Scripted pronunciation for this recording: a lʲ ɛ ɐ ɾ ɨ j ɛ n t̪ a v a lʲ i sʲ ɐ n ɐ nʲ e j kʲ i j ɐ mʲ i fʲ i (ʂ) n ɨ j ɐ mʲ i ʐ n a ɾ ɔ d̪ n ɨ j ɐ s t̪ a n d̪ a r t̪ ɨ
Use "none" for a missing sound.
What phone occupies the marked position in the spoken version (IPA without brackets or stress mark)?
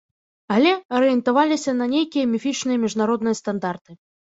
t͡ʂ